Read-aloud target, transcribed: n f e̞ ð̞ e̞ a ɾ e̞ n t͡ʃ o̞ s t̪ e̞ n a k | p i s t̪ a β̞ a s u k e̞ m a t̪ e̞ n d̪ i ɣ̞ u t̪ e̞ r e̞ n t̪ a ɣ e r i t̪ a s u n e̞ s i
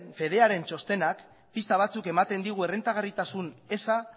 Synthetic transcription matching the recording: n f e̞ ð̞ e̞ a ɾ e̞ n t͡ʃ o̞ s t̪ e̞ n a k | p i s t̪ a β̞ a t͡s u k e̞ m a t̪ e̞ n d̪ i ɣ̞ u e̞ r e̞ n t̪ a ɣ a r i t̪ a s u n e̞ s a